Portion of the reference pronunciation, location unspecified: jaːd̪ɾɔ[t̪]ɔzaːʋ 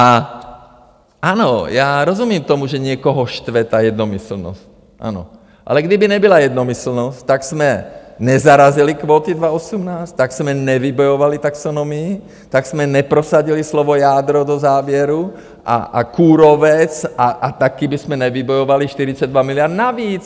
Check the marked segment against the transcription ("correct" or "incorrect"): incorrect